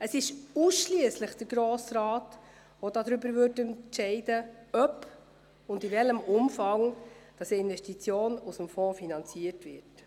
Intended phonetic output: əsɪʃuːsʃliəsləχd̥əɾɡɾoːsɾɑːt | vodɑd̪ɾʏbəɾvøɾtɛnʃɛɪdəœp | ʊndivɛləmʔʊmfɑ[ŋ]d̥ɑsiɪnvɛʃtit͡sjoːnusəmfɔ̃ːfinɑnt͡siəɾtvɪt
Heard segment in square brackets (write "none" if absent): ŋ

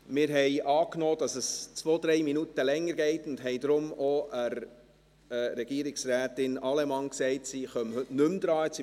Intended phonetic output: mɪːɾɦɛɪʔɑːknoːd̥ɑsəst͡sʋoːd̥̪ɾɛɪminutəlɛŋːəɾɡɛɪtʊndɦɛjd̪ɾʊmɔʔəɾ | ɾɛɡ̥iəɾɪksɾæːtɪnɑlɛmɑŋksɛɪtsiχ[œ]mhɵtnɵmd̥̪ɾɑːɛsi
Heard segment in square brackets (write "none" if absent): œ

